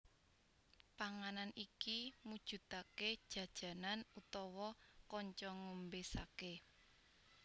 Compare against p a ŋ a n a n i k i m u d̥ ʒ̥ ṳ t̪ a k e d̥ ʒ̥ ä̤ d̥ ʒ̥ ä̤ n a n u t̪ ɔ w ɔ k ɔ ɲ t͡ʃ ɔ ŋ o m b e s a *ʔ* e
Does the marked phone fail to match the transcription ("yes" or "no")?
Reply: yes